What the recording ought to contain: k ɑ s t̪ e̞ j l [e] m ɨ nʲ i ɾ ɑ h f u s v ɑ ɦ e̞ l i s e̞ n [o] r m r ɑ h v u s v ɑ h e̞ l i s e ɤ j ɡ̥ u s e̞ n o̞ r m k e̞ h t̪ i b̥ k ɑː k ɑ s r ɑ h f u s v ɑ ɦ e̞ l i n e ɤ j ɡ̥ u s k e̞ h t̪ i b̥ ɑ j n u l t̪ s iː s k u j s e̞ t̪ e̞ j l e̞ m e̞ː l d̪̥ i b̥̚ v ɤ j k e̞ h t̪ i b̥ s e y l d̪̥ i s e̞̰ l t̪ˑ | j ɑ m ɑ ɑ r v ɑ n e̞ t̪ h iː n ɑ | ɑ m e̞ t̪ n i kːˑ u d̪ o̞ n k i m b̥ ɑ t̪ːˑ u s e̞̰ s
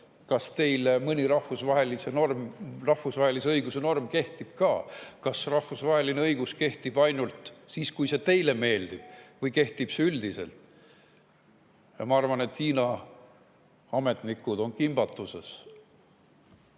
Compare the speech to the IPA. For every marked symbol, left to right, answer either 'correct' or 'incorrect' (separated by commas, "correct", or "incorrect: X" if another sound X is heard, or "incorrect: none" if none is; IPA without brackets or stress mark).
correct, correct